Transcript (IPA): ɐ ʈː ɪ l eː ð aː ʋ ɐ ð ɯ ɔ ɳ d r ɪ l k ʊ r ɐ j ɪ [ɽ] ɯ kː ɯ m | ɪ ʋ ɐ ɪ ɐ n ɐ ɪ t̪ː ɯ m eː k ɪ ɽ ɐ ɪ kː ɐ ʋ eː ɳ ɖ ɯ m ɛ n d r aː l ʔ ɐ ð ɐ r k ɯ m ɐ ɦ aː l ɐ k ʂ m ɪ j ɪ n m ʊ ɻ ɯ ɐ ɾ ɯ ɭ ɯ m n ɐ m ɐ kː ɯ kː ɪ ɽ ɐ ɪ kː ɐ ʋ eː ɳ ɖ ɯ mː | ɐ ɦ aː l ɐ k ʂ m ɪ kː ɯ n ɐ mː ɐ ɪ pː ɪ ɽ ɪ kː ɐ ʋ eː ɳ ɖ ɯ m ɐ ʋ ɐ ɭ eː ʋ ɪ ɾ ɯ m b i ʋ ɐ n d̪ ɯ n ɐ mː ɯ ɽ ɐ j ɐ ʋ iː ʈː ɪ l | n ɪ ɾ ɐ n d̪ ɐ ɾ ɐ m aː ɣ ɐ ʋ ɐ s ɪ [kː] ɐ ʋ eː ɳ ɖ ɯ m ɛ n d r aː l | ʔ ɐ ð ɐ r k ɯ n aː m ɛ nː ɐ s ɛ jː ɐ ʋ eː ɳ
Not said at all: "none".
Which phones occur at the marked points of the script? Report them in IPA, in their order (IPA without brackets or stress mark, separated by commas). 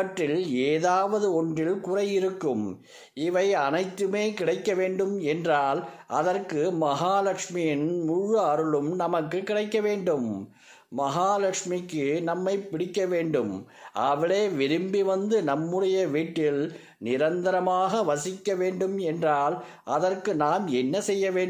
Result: ɾ, kː